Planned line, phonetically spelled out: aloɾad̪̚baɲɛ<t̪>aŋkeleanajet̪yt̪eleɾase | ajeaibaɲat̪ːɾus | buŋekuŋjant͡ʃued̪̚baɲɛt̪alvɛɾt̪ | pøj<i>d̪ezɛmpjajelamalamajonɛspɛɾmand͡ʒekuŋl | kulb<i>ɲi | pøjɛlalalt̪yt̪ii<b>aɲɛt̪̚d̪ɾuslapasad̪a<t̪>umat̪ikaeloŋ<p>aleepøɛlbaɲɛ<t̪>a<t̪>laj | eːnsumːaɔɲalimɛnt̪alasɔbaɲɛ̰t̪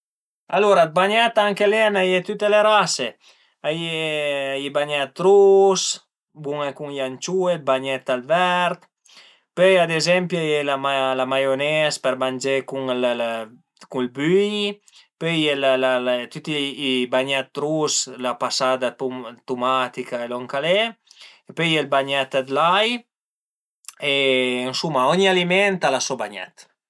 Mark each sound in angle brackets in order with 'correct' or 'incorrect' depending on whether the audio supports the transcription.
correct, incorrect: a, incorrect: y, correct, correct, incorrect: k, correct, incorrect: d̪

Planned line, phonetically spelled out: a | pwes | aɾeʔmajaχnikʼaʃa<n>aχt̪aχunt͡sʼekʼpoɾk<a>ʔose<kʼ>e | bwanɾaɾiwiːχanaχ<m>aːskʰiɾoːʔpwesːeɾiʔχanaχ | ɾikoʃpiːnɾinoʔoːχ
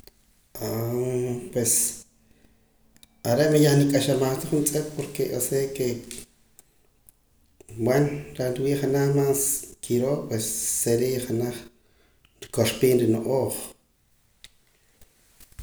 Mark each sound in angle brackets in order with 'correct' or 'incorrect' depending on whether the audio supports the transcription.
incorrect: m, incorrect: e, incorrect: k, correct

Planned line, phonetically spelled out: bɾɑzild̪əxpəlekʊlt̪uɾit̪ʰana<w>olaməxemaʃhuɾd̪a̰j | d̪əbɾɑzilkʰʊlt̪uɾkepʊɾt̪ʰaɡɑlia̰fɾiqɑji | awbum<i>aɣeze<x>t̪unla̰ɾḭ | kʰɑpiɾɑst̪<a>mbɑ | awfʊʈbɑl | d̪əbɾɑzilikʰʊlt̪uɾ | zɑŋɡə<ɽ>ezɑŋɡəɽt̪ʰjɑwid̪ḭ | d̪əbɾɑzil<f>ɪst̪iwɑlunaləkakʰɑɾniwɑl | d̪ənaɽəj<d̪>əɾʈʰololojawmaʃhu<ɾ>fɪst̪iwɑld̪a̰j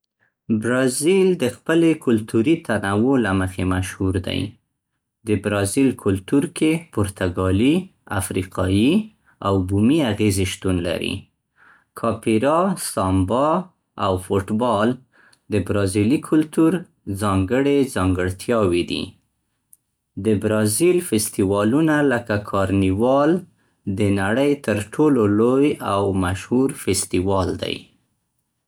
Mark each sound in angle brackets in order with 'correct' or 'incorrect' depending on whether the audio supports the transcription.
correct, correct, incorrect: ʃ, incorrect: ɑ, correct, correct, incorrect: t̪, correct

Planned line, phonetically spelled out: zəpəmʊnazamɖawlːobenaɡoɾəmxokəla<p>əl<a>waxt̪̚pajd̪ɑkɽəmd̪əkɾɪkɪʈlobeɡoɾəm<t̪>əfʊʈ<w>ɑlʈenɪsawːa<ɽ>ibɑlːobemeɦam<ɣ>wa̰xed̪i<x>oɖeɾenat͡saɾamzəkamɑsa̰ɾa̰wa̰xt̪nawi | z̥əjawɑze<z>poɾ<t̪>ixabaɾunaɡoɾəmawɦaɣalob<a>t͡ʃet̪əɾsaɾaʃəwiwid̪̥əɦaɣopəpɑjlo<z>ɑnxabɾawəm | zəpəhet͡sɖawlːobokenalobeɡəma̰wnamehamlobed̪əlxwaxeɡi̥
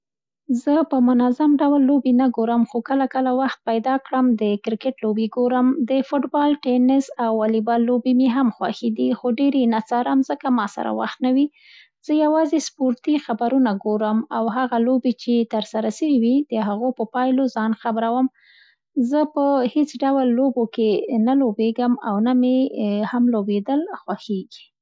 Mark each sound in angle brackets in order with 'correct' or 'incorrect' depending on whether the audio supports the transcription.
incorrect: k, correct, incorrect: d̪, incorrect: b, incorrect: l, incorrect: x, correct, incorrect: s, correct, incorrect: e, correct

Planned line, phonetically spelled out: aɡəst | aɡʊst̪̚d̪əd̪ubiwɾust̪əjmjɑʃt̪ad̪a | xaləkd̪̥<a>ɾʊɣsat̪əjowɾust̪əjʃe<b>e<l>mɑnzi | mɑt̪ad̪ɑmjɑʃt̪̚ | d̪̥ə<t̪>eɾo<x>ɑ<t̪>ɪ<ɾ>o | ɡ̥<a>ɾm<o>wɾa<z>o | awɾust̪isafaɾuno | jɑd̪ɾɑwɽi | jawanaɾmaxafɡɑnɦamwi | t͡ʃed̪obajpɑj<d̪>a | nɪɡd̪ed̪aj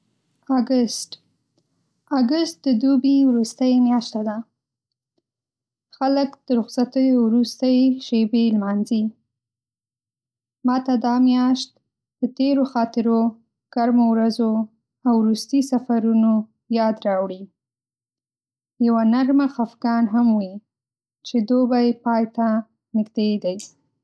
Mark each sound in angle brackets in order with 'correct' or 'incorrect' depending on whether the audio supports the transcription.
incorrect: ə, correct, correct, correct, correct, correct, correct, correct, correct, correct, incorrect: t̪

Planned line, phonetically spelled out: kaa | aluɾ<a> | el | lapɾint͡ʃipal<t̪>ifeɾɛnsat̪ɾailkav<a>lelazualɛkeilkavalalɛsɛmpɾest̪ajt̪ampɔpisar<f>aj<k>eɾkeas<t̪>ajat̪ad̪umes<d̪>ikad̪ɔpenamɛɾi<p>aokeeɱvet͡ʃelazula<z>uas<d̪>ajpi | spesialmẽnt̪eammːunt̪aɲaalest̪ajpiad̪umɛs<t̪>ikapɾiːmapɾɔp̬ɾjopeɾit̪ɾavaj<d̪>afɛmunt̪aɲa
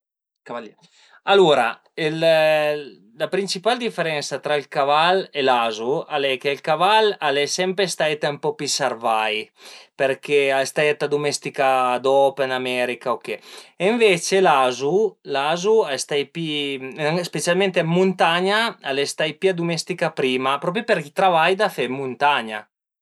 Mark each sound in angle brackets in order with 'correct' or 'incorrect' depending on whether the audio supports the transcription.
correct, incorrect: d̪, correct, incorrect: v, incorrect: p, correct, incorrect: t̪, incorrect: k, correct, incorrect: t̪, correct, correct

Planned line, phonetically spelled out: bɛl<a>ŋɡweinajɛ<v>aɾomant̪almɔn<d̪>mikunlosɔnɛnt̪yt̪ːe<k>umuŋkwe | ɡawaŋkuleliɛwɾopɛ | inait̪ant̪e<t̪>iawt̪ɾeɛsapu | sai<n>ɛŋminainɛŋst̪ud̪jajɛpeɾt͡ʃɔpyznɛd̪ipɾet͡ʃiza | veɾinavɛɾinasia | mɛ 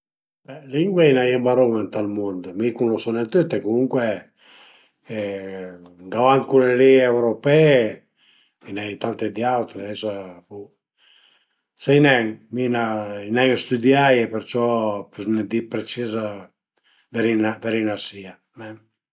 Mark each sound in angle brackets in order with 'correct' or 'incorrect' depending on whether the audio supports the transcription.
incorrect: i, incorrect: b, correct, correct, incorrect: d̪, correct

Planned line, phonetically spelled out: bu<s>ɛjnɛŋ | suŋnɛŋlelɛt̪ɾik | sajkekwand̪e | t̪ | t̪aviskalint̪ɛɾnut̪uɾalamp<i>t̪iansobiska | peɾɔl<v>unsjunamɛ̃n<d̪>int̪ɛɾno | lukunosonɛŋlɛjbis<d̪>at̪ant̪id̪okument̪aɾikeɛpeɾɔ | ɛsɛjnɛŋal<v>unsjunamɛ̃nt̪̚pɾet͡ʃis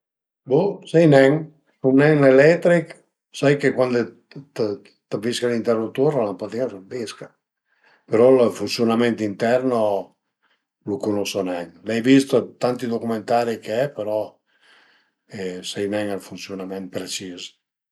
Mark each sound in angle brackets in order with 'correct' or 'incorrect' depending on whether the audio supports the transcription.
correct, incorrect: a, incorrect: f, incorrect: t̪, incorrect: t̪, incorrect: f

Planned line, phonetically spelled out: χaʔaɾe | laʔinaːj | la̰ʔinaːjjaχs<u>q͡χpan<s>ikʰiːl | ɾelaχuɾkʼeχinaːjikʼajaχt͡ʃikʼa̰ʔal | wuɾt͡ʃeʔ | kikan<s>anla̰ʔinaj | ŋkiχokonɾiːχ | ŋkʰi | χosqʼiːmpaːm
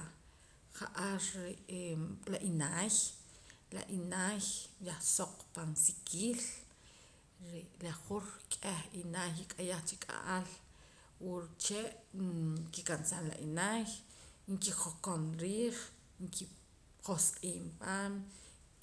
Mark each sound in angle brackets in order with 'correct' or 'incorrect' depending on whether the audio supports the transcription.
incorrect: o, correct, correct

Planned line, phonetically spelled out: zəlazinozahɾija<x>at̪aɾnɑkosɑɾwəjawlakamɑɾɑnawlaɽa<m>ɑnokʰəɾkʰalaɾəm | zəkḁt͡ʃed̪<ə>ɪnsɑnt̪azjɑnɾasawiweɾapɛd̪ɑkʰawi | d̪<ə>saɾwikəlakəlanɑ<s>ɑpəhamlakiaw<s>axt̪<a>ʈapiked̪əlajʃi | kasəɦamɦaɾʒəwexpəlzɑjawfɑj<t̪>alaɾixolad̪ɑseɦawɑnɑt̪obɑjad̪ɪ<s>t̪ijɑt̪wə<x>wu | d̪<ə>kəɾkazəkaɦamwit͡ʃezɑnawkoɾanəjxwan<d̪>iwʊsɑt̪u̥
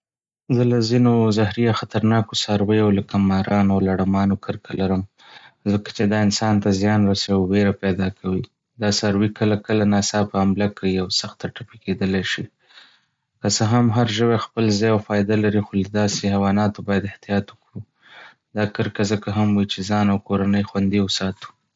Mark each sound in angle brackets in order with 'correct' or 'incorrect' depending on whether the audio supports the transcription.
correct, correct, incorrect: ɑ, incorrect: ɑ, correct, correct, correct, incorrect: d̪, incorrect: h, incorrect: k, incorrect: ɑ, correct

